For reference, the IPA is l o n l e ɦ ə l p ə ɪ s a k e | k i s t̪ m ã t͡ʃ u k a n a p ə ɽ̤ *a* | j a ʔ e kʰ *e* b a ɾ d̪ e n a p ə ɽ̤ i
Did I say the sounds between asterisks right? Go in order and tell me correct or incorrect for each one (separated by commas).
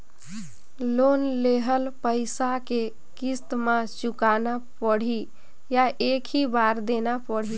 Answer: incorrect, incorrect